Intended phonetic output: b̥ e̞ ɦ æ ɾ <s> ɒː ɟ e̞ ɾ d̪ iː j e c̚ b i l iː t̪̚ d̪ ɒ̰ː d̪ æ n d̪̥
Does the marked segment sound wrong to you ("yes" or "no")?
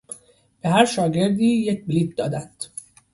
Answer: yes